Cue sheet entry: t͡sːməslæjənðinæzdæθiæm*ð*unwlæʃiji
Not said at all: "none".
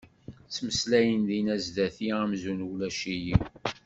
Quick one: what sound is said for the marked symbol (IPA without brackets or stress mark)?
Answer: z